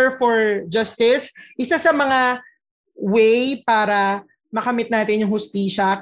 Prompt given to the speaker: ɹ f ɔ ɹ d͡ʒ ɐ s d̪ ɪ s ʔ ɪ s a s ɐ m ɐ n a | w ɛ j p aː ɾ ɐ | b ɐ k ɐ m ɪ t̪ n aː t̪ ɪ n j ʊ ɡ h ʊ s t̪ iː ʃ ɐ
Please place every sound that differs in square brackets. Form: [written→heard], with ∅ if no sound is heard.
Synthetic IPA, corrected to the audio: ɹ f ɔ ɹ d͡ʒ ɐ s [d̪→t̪] ɪ s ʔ ɪ s a s ɐ m ɐ [n→ŋ] a | w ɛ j p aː ɾ ɐ | [b→m] ɐ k ɐ m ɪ t̪ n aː t̪ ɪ n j ʊ [ɡ→ŋ] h ʊ s t̪ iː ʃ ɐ